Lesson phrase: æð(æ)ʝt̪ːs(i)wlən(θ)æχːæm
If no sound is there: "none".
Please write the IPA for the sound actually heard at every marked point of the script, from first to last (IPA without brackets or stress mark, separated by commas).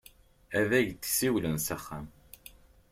æ, i, s